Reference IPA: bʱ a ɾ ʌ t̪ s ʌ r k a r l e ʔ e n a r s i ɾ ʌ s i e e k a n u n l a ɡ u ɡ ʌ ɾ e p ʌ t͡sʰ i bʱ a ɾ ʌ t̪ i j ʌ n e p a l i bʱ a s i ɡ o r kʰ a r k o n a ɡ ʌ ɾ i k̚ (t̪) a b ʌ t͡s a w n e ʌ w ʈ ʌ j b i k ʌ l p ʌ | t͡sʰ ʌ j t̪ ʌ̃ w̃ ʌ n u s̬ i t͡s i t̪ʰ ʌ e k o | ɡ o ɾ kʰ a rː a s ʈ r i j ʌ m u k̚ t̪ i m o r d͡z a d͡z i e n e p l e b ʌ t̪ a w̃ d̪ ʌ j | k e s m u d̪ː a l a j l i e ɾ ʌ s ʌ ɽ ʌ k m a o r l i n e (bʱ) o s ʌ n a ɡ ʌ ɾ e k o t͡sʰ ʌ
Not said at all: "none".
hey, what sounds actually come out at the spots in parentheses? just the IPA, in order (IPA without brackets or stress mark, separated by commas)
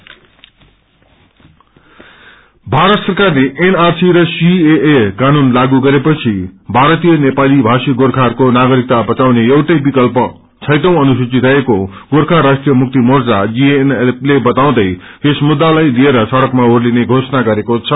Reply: t̪, ɡʱ